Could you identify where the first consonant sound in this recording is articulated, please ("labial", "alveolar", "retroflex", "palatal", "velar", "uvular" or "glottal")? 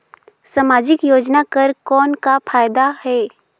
alveolar